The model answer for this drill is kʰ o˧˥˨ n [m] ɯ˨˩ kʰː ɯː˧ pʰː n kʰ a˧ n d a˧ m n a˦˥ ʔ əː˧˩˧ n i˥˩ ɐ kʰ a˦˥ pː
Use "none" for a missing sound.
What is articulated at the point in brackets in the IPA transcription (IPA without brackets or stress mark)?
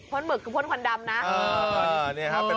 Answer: m